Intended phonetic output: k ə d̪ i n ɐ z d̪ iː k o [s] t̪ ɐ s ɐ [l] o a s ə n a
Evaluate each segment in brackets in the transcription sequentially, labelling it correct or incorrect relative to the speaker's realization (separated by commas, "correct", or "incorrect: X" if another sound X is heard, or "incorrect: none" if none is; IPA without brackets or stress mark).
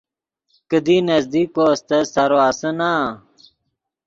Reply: correct, incorrect: ɾ